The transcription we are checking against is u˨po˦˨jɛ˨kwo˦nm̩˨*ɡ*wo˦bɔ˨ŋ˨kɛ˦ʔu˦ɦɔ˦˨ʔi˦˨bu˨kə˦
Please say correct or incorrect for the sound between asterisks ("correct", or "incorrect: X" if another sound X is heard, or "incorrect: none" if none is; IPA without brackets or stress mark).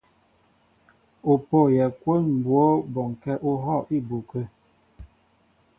incorrect: b